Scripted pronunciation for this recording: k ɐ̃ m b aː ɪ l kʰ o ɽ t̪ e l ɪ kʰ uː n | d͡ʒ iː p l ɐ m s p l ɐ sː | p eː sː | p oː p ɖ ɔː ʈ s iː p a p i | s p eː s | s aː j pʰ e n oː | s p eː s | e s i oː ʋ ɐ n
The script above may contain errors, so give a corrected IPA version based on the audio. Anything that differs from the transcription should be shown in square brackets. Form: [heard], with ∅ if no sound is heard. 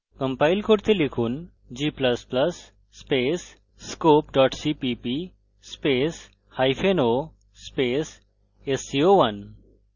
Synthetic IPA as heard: k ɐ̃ m [p] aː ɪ l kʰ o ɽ t̪ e l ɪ kʰ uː n | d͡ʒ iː p l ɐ [∅] s p l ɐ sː | p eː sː | [k] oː p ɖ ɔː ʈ s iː p [i] p i | s p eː s | [h] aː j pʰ e n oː | s p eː s | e s i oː ʋ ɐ n